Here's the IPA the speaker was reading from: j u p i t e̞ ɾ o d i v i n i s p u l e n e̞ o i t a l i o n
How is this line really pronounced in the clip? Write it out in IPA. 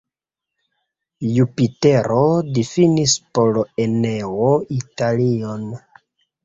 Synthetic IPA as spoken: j u p i t e̞ ɾ o d i f i n i s p o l e n e̞ o i t a l i o n